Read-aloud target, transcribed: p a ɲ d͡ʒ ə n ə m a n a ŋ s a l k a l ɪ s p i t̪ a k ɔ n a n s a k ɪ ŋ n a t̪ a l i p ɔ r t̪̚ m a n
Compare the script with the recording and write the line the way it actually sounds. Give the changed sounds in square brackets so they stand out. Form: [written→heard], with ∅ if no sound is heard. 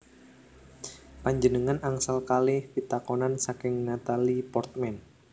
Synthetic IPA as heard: p a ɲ d͡ʒ ə n ə [m→ŋ] a n a ŋ s a l k a l ɪ [s→h] p i t̪ a k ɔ n a n s a k ɪ ŋ n a t̪ a l i p ɔ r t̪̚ m [a→ɛ] n